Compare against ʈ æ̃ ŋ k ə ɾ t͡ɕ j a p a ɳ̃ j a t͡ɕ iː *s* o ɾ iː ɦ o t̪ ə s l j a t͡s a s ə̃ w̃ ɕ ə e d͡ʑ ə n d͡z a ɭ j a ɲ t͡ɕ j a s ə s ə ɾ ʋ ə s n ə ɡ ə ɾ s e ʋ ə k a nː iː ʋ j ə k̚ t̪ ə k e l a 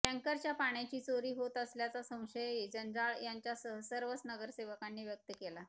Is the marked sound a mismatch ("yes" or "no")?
yes